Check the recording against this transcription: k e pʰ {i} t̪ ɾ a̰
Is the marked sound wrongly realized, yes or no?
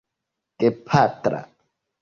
yes